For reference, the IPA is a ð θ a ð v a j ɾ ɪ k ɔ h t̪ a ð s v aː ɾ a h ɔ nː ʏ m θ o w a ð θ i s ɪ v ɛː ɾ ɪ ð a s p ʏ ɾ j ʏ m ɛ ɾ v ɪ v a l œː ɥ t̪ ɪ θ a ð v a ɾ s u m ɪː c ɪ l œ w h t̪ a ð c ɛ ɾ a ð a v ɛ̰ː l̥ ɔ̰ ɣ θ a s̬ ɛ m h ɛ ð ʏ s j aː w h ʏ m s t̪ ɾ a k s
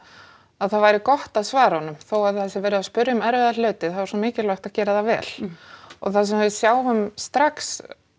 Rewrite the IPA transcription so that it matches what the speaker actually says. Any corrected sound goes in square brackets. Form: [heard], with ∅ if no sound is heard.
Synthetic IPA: a ð θ a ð v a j ɾ ɪ k ɔ h t̪ a ð s v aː ɾ a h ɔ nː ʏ m θ o w a ð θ [ɛ] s ɪ v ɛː ɾ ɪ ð a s p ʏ ɾ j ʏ m ɛ ɾ v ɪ [ð] a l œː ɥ t̪ ɪ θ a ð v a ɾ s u m ɪː c ɪ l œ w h t̪ a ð c [ɛː] ɾ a ð a v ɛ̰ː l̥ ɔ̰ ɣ θ a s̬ ɛ m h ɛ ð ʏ s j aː w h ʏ m s t̪ ɾ a k s